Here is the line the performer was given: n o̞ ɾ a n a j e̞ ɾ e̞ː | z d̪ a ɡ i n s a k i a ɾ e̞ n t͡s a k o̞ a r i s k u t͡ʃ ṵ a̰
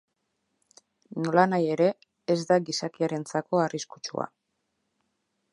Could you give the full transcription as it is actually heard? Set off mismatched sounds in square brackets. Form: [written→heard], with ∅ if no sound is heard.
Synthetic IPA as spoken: n o̞ [ɾ→l] a n a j e̞ ɾ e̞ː | z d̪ a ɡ i [n→∅] s a k i a ɾ e̞ n t͡s a k o̞ a r i s k u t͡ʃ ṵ a̰